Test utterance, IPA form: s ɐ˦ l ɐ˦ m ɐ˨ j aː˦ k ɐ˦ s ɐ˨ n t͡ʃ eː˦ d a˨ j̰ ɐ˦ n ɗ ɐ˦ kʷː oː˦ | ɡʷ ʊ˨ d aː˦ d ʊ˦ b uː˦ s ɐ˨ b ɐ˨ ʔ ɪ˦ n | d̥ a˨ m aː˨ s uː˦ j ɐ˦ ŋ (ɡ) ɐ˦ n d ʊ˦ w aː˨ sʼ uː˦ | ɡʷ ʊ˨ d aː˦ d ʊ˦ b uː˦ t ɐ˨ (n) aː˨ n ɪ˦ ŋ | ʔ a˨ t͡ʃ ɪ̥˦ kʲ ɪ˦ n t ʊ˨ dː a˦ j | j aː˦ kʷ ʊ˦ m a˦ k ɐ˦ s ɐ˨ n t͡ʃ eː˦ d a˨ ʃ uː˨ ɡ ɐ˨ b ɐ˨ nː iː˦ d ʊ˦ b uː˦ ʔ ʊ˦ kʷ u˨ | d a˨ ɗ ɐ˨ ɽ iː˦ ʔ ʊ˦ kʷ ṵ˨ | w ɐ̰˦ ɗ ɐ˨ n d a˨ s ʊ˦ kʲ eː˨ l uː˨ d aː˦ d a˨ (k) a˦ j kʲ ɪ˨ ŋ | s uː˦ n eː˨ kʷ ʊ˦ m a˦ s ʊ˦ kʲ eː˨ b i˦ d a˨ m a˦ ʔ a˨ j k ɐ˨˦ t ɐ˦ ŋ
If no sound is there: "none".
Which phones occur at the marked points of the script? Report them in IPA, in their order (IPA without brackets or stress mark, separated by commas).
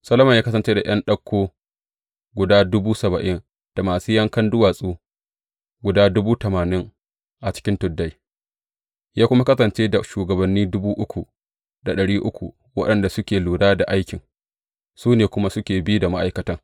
k, m, ʔ